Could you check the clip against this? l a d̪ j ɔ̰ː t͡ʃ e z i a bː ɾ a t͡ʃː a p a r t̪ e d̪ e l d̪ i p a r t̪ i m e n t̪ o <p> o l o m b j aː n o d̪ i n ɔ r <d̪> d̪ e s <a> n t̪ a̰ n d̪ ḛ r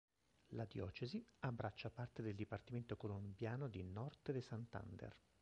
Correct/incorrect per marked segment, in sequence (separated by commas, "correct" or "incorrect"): incorrect, incorrect, correct